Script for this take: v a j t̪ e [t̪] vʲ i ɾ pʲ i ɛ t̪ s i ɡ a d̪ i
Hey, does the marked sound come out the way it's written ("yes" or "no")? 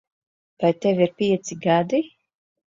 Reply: no